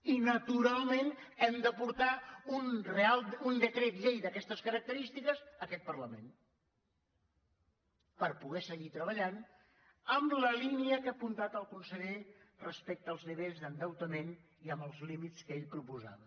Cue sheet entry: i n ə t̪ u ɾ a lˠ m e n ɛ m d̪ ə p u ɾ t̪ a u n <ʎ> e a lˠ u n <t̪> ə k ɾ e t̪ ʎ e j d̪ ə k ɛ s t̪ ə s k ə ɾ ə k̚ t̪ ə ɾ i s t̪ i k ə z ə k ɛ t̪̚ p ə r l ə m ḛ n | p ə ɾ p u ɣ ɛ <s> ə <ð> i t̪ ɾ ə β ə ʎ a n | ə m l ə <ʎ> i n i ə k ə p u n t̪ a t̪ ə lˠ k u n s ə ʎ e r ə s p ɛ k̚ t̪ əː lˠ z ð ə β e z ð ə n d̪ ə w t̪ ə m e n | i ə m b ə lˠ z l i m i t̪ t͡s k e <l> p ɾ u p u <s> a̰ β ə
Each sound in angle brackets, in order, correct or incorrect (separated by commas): incorrect, incorrect, correct, incorrect, incorrect, incorrect, incorrect